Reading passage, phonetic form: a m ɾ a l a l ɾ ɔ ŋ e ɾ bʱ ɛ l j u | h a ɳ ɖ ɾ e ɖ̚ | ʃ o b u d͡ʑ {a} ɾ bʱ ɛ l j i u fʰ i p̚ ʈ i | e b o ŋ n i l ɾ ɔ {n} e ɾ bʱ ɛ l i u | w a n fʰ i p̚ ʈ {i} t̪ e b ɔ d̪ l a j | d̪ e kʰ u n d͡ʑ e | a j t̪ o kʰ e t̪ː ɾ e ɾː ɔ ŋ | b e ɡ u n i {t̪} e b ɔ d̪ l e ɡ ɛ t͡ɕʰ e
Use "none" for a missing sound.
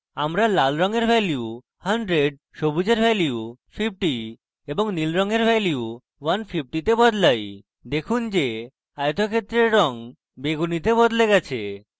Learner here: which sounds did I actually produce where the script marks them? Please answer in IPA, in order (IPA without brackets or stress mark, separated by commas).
e, ŋ, i, t̪